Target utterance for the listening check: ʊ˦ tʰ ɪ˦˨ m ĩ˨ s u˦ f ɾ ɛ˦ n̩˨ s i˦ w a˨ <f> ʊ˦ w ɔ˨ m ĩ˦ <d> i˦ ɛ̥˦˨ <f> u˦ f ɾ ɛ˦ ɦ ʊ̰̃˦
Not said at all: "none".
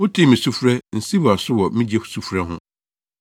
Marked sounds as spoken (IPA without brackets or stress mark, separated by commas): s, d͡ʑ, s